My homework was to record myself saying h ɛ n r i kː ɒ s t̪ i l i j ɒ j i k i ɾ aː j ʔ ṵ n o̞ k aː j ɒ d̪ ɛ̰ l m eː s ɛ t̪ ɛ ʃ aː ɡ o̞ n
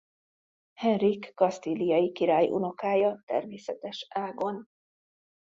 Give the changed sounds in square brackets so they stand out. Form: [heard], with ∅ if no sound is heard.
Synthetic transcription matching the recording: h ɛ n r i kː ɒ s t̪ i l i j ɒ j i k i ɾ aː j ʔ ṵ n o̞ k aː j ɒ [t̪] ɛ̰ [r] m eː s ɛ t̪ ɛ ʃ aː ɡ o̞ n